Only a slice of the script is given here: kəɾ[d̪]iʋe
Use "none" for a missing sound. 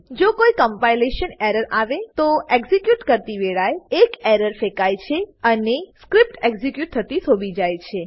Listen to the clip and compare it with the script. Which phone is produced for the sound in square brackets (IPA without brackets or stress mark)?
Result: t̪